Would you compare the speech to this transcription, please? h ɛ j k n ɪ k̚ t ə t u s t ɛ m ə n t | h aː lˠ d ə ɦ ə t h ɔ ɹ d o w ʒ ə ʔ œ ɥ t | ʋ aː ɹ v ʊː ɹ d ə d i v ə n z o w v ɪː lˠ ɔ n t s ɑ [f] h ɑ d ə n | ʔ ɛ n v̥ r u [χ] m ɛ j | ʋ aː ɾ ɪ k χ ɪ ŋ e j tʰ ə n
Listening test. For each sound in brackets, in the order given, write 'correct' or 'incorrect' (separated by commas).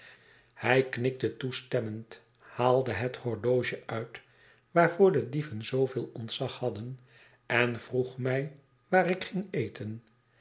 incorrect, correct